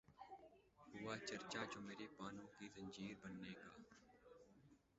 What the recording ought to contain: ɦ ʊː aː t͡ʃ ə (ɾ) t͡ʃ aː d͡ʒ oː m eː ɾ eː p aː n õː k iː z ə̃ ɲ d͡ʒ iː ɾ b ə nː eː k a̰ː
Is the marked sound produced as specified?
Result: yes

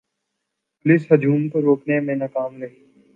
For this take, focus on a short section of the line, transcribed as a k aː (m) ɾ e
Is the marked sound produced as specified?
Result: yes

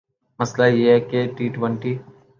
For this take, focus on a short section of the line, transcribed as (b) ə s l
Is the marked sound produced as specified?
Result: no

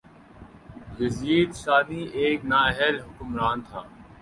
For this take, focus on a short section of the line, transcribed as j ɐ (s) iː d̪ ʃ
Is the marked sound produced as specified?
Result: no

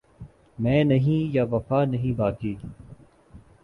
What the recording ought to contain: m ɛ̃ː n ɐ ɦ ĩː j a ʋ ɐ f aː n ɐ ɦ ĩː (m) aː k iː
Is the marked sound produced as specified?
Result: no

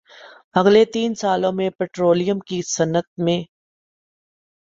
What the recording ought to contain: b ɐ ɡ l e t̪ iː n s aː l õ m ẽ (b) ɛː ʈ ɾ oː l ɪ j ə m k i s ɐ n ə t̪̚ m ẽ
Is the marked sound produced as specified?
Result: no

